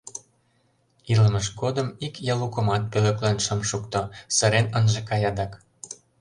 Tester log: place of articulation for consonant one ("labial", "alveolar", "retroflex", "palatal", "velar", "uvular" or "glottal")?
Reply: alveolar